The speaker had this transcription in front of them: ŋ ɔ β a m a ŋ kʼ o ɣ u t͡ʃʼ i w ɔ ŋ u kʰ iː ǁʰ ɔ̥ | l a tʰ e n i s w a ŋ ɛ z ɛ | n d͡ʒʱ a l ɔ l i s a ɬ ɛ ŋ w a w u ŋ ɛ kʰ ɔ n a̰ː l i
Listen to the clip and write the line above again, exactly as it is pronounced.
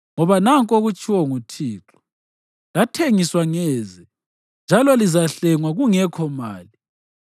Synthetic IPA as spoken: ŋ ɔ β a n a ŋ kʼ o ɣ u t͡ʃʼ i w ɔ ŋ u tʰ iː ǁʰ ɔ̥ | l a tʰ e ŋ i s w a ŋ ɛ z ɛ | n d͡ʒʱ a l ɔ l i z a ɬ ɛ ŋ w a ɣ u ŋ ɛ kʰ ɔ m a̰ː l i